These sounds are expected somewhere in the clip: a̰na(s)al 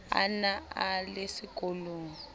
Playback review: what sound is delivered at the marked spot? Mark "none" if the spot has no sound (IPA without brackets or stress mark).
none